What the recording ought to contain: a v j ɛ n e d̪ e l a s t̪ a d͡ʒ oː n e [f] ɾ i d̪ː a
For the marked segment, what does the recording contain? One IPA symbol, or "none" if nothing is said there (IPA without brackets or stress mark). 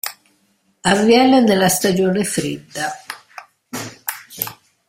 f